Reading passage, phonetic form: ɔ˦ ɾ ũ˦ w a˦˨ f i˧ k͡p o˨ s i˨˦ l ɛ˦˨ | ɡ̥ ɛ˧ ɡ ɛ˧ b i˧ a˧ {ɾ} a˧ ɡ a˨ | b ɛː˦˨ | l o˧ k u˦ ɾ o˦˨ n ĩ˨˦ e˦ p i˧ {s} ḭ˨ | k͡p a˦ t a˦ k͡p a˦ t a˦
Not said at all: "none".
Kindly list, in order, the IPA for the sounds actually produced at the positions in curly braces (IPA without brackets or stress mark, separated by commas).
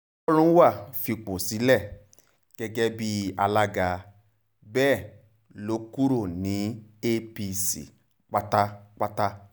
l, s